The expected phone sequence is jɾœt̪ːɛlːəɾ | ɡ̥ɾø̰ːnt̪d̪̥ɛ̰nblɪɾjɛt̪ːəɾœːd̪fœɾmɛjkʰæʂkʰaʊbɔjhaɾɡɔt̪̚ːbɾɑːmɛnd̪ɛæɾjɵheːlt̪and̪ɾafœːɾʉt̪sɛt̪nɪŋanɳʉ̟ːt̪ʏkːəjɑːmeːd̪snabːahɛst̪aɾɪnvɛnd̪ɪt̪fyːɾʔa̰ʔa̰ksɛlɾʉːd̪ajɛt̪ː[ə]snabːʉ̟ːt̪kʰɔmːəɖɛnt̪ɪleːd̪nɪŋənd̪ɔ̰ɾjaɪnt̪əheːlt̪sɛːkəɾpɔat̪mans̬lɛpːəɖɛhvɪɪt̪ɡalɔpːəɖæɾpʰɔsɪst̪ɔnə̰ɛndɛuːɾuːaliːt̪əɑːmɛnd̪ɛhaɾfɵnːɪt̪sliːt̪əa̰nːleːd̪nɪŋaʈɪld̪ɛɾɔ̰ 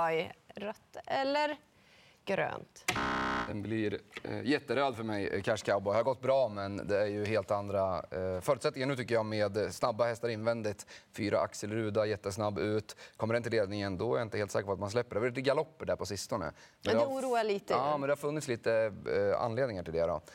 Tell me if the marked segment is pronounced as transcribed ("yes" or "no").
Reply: yes